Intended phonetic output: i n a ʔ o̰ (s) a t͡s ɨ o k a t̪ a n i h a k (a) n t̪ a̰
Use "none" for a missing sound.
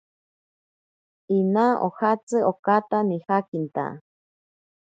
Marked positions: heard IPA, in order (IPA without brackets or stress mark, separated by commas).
h, i